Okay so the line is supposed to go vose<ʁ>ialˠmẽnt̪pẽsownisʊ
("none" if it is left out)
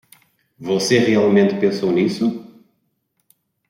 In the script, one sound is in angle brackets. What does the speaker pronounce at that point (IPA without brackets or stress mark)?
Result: ʁ